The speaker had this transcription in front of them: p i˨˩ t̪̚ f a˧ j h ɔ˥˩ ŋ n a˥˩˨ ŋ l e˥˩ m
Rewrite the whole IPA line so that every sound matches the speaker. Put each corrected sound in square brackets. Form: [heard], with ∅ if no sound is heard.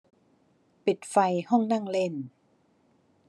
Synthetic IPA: p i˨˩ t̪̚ f a˧ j h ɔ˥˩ ŋ n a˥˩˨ ŋ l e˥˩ [n]